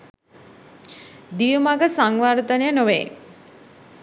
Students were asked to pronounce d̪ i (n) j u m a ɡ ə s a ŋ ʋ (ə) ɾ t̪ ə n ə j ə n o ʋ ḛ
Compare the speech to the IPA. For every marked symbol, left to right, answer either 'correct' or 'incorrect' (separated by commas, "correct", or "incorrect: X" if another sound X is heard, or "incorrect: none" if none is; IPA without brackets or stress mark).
incorrect: none, incorrect: a